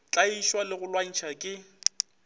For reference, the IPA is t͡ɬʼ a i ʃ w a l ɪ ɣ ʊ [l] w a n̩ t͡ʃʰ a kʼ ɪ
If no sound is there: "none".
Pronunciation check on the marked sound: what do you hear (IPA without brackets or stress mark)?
l